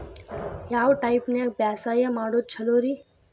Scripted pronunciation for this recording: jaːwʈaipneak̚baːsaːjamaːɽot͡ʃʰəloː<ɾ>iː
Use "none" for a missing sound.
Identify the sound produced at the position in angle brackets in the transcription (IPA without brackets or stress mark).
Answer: ɾ